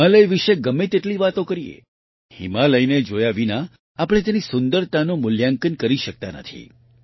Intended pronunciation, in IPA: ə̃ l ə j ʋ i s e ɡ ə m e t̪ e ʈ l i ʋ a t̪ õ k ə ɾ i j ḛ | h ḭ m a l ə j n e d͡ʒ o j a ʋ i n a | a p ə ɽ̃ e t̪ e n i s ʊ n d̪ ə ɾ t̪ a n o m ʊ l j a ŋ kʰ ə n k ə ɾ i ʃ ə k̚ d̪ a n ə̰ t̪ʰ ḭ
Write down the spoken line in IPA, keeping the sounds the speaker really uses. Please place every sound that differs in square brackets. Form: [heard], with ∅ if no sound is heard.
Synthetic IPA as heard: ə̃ l ə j ʋ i [ʃ] e ɡ ə m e t̪ e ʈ l i ʋ a t̪ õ k ə ɾ i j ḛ | h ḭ m a l ə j n e d͡ʒ o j a ʋ i n a | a p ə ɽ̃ e t̪ e n i s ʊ n d̪ ə ɾ t̪ a n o m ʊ l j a ŋ [k] ə n k ə ɾ i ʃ ə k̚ [t̪] a n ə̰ t̪ʰ ḭ